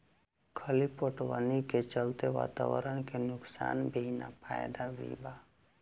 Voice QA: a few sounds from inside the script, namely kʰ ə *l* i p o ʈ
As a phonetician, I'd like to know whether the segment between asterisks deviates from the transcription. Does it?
no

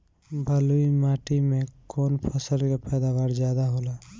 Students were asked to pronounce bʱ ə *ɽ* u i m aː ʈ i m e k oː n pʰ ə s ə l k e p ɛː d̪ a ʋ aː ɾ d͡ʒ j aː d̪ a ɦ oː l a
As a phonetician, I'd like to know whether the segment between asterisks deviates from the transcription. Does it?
yes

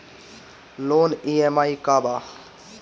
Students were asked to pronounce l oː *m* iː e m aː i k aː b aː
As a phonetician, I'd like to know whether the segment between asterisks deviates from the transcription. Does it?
yes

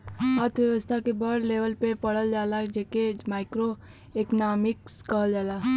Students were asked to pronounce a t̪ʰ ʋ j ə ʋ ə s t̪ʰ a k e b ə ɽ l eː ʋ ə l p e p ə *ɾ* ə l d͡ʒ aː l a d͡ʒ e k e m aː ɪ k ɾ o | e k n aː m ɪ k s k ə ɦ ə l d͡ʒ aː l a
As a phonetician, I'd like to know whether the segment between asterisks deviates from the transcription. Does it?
yes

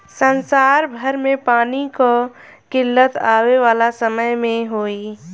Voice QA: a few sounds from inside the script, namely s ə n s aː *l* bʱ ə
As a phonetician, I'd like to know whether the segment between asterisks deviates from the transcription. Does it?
yes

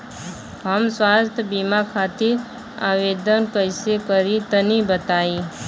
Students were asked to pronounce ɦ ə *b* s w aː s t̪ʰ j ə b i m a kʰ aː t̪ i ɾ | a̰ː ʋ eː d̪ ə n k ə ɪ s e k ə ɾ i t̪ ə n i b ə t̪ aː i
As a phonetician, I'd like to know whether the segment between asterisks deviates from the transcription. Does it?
yes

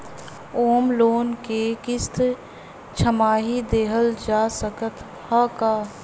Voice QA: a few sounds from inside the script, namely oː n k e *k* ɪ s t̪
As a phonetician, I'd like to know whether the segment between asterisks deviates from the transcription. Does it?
no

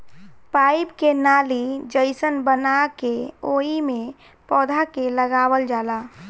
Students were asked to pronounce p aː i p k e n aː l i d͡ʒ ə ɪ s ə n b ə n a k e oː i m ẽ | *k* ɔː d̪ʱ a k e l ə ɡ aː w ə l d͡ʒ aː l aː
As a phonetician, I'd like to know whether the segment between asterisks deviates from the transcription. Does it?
yes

